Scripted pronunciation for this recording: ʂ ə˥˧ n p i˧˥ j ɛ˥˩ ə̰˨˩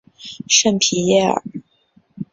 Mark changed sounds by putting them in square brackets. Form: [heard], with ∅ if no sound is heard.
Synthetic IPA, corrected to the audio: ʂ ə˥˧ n [pʰ] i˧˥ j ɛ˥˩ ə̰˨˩